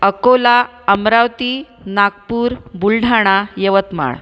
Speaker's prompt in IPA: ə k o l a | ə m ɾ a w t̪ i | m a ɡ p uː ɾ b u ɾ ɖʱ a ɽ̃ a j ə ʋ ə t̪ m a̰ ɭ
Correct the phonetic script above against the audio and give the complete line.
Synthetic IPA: ə k o l a | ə m ɾ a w t̪ i | n a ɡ p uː ɾ b u l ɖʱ a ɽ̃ a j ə ʋ ə t̪ m a̰ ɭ

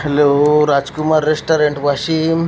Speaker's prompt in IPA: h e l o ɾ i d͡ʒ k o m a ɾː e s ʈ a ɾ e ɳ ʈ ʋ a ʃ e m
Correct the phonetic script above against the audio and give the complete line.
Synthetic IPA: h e l o ɾ a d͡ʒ k u m a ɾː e s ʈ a ɾ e ɳ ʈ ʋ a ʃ i m

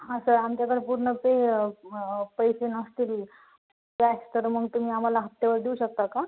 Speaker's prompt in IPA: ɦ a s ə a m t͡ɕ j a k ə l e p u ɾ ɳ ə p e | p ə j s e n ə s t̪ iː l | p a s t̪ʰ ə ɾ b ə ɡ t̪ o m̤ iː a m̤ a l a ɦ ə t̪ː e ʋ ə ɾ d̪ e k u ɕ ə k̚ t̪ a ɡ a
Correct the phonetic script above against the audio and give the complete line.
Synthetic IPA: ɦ a s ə a m t͡ɕ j a k ə ɽ e p u ɾ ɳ ə p e | p ə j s e n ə s t̪ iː l | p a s t̪ ə ɾ m ə ɡ t̪ u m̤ iː a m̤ a l a ɦ ə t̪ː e ʋ ə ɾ d̪ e u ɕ ə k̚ t̪ a k a

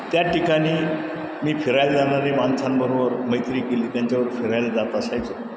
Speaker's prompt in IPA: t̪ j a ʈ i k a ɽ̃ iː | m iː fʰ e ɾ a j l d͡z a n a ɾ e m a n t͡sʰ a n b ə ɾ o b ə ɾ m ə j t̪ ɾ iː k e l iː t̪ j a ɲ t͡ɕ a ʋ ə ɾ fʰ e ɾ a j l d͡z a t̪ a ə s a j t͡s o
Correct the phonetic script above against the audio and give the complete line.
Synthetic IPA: t̪ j a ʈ i k a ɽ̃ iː | m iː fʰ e ɾ a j l d͡z a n a ɾ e m a n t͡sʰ a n b ə ɾ o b ə ɾ m ə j t̪ ɾ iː k e l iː t̪ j a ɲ t͡ɕ a ʋ ə ɾ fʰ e ɾ a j l d͡z a t̪ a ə s a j t͡s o

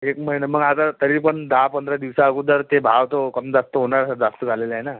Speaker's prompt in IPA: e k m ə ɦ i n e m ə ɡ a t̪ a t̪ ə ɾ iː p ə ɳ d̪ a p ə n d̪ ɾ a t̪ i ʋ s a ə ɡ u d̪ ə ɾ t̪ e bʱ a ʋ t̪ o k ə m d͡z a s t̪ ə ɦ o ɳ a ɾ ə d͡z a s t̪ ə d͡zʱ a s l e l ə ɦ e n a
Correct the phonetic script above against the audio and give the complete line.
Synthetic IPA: e k m ə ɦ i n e m ə ɡ a t̪ a t̪ ə ɾ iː p ə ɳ d̪ a p ə n d̪ ɾ a d̪ i ʋ s a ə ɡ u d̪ ə ɾ t̪ e bʱ a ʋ t̪ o k ə m d͡z a s t̪ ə ɦ o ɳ a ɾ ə d͡z a s t̪ ə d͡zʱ a l e l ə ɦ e n a

